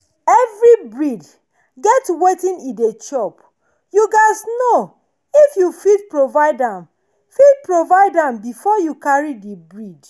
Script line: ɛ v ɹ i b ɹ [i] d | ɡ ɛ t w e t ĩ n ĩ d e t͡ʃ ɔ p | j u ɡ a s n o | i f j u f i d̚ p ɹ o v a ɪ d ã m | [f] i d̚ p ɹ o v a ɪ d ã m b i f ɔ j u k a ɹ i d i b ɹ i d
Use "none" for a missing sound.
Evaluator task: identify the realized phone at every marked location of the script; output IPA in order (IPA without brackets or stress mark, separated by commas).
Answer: i, f